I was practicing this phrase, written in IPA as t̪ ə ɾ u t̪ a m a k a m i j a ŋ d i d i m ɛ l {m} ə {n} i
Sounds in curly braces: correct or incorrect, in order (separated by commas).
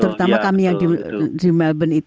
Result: incorrect, correct